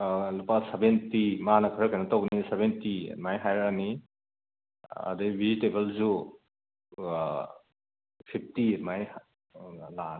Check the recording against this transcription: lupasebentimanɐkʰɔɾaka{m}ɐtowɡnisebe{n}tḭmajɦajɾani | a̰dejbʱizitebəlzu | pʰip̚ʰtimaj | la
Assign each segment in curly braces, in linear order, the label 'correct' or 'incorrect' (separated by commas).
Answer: incorrect, correct